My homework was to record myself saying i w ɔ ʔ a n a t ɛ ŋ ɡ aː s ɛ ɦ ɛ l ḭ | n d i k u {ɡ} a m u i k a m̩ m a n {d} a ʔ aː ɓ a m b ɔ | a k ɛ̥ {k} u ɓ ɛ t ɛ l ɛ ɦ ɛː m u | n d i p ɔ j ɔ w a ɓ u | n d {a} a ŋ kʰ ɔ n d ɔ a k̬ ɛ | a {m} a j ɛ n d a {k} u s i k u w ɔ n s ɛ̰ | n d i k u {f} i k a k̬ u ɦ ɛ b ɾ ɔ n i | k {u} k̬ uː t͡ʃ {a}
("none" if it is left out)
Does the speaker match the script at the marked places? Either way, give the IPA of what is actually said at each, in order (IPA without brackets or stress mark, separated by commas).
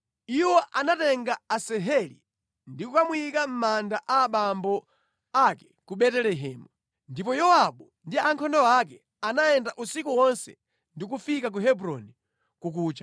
k, d, k, i, n, ʔ, f, u, a